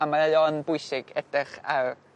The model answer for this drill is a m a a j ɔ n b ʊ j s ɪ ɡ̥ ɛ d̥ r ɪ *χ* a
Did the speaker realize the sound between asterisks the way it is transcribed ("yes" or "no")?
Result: yes